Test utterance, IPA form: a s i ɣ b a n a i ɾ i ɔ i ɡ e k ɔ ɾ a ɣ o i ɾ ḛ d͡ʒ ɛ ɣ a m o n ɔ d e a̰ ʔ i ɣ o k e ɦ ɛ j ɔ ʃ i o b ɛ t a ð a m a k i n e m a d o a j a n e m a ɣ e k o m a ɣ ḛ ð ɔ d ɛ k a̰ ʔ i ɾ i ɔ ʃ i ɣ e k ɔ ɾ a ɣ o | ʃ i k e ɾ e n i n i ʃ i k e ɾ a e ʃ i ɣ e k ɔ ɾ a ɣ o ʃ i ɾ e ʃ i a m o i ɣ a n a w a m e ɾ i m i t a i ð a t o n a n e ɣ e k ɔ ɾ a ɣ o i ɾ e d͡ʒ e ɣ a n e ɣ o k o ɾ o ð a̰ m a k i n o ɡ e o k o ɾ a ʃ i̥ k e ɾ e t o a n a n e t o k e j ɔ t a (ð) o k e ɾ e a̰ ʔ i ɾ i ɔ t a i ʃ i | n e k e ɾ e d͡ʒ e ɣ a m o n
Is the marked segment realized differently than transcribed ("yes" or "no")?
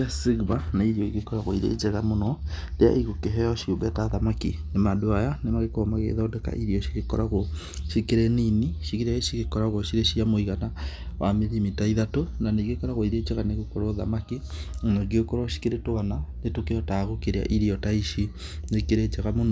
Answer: yes